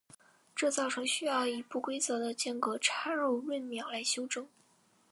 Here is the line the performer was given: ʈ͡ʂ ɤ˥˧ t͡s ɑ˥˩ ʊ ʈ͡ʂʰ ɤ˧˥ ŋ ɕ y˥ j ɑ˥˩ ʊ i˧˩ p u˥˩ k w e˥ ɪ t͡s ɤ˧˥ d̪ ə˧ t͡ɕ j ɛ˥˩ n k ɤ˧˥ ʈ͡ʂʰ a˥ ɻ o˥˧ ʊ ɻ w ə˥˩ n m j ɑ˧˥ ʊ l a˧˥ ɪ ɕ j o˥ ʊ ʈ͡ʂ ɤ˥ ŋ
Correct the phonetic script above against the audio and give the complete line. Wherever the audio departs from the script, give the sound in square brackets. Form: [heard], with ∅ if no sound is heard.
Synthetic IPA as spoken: ʈ͡ʂ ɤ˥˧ t͡s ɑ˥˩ ʊ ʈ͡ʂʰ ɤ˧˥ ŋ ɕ y˥ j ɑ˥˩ ʊ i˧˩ p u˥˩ k w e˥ ɪ t͡s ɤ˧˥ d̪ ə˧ t͡ɕ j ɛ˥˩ n k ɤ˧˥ ʈ͡ʂʰ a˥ ɻ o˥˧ ʊ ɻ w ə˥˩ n m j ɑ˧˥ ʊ l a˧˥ ɪ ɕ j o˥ ʊ ʈ͡ʂ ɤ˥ ŋ